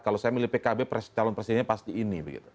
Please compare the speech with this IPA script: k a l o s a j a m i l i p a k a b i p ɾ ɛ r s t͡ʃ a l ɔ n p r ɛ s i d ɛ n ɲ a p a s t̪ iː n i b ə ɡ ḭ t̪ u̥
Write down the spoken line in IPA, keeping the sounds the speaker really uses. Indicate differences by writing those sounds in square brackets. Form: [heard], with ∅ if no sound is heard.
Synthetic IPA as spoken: k a l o s a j a m i l i p [e] k a b [e] p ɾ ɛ [∅] s t͡ʃ a l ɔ n p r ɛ s i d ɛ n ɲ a p a s t̪ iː n i b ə ɡ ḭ t̪ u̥